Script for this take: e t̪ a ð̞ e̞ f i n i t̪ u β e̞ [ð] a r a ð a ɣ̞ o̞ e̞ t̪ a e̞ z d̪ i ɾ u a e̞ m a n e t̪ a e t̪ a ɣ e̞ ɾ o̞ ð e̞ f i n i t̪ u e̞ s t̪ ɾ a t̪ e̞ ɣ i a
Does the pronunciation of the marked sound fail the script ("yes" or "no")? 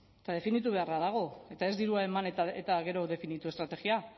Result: yes